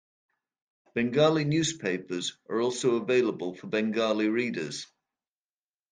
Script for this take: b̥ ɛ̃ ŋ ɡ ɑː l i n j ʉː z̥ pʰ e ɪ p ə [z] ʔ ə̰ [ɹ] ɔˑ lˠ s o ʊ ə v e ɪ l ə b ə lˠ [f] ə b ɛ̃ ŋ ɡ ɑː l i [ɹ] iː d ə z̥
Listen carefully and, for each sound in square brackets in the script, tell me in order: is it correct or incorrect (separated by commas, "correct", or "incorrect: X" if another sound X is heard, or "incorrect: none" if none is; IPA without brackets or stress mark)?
correct, correct, correct, correct